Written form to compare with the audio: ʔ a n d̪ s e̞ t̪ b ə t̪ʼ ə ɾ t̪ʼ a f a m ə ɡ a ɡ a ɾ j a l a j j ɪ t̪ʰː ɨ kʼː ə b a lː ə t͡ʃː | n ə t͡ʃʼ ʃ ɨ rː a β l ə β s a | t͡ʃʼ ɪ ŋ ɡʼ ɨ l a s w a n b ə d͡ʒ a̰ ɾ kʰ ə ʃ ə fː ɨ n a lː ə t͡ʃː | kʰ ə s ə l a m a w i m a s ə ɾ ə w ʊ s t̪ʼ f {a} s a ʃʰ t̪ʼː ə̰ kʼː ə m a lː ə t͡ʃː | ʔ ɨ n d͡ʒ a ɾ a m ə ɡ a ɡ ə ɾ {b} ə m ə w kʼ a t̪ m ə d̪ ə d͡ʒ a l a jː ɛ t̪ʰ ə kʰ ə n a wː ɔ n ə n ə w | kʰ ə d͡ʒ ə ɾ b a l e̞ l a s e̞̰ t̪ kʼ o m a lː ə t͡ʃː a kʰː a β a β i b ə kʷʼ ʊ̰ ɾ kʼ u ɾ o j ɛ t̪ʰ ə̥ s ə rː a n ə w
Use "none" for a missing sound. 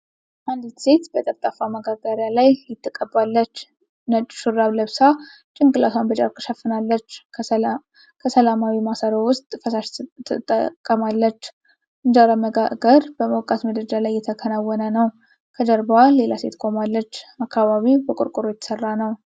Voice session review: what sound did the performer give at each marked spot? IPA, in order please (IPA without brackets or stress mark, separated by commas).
ə, b